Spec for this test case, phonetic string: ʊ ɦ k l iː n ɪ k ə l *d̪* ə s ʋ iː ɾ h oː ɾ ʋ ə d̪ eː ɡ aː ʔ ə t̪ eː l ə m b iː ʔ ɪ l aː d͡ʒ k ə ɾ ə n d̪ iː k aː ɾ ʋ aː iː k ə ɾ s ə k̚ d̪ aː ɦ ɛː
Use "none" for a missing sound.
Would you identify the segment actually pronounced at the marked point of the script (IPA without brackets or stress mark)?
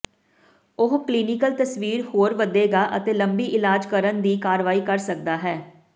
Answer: t̪